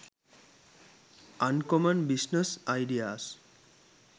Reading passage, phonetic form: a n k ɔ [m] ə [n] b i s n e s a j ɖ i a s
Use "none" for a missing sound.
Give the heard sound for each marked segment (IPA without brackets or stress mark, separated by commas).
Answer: m, n